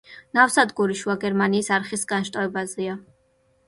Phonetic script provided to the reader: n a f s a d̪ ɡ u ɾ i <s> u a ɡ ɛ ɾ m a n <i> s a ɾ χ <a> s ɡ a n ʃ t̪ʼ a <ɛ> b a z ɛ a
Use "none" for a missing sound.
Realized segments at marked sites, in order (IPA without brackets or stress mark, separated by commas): ʃ, iː, i, ɛ